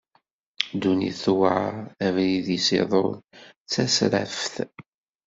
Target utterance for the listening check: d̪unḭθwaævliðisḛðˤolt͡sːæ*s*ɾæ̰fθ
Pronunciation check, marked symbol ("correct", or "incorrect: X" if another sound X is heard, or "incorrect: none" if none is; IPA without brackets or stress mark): correct